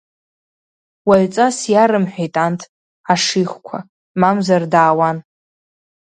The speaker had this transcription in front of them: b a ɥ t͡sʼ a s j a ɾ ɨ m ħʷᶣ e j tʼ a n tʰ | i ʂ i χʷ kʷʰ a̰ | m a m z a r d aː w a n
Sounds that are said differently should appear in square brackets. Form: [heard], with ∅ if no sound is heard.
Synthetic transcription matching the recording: [w] a ɥ t͡sʼ a s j a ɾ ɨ m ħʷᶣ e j tʼ a n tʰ | [a] ʂ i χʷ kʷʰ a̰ | m a m z a r d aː w a n